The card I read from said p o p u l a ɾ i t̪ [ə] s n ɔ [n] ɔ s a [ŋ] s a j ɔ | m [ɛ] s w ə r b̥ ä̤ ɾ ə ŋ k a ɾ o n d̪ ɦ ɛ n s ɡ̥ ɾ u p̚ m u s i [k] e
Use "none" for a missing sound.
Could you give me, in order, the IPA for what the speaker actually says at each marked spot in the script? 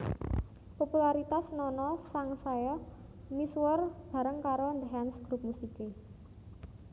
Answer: a, n, ŋ, i, k

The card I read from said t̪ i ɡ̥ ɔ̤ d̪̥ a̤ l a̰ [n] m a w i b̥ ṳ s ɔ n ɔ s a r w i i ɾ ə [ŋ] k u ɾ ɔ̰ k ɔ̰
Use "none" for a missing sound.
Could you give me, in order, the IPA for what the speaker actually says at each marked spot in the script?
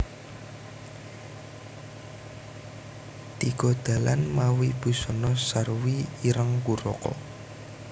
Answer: n, ŋ

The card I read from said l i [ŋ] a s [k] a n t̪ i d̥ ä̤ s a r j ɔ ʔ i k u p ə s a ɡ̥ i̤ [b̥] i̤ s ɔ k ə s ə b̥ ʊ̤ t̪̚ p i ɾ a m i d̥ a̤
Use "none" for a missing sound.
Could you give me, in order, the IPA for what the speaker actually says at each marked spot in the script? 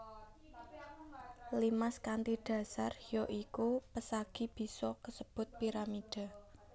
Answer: m, k, b̥

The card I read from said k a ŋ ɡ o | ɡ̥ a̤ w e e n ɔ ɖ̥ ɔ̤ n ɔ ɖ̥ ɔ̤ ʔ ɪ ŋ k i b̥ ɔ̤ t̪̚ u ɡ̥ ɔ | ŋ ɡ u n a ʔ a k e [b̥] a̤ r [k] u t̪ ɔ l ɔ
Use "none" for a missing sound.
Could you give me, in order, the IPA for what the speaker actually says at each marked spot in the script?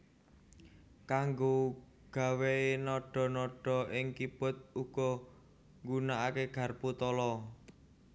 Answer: ɡ̥, p

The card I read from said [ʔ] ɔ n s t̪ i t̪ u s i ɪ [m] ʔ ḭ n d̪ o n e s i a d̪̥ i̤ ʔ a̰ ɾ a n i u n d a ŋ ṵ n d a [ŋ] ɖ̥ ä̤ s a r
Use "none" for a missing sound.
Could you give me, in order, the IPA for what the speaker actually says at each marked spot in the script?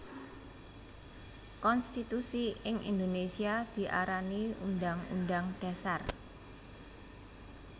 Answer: k, ŋ, ŋ

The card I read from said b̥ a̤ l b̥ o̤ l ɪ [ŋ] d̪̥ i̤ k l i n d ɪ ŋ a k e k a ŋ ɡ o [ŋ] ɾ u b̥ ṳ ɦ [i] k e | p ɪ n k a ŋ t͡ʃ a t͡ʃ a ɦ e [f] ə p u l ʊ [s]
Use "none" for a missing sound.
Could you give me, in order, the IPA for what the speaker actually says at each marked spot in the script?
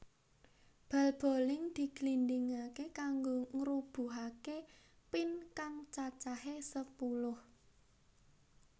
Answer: ŋ, ŋ, a, s, h

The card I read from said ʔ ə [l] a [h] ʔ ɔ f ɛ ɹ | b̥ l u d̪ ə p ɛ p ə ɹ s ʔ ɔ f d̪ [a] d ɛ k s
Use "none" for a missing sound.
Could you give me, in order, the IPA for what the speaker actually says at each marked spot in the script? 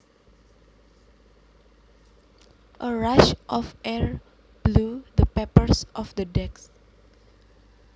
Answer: ɹ, ʃ, ə

